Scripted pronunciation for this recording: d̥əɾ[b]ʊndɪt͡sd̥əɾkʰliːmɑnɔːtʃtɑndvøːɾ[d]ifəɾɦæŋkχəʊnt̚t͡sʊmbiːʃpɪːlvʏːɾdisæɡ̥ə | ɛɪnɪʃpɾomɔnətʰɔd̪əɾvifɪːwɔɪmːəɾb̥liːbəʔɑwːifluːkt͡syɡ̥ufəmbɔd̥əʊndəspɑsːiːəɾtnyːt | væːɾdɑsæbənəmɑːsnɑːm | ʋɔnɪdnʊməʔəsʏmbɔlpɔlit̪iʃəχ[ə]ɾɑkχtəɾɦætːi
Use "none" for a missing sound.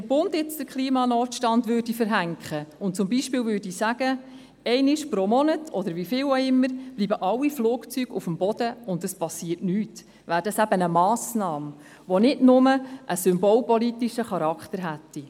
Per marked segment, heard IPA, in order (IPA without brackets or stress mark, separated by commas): b, d, ɑ